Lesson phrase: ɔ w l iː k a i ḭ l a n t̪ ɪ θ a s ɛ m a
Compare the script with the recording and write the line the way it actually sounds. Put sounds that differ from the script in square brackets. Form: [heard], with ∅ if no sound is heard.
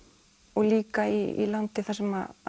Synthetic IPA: ɔ [ɣ] l iː k a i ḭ l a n t̪ ɪ θ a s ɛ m a